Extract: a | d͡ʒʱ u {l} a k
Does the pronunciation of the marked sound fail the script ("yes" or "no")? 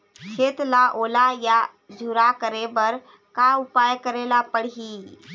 yes